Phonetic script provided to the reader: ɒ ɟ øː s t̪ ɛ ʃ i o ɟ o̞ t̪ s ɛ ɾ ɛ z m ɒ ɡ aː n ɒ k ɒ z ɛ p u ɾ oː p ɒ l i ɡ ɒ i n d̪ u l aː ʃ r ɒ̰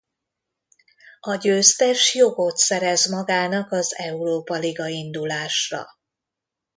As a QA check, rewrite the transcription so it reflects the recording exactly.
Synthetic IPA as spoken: ɒ ɟ øː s t̪ ɛ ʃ j o ɡ o̞ t̪ s ɛ ɾ ɛ z m ɒ ɡ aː n ɒ k ɒ z ɛ u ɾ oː p ɒ l i ɡ ɒ i n d̪ u l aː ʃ r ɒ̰